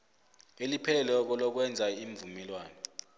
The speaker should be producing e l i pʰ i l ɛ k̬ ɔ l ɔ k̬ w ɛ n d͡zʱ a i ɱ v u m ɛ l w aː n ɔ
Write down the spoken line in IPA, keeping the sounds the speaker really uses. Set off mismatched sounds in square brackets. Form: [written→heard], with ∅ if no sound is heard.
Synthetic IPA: e l i pʰ [i→ɛ] l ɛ k̬ ɔ l ɔ k̬ w ɛ n d͡zʱ a i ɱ v u m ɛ l w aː n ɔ